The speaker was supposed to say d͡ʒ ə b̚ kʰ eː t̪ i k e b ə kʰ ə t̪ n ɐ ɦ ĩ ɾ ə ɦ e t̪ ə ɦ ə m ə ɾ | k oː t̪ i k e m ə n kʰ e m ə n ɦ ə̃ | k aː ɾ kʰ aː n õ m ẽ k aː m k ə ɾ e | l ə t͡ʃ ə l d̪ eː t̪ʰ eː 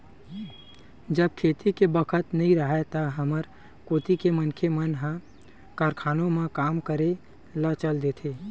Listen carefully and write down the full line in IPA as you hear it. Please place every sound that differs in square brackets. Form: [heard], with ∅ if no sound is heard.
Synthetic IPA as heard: d͡ʒ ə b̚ kʰ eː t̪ i k e b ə kʰ ə t̪ n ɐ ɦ ĩ ɾ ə ɦ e t̪ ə ɦ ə m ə ɾ | k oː t̪ i k e m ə n kʰ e m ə n ɦ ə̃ | k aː ɾ kʰ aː n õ m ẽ k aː m k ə ɾ e | l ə t͡ʃ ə l d̪ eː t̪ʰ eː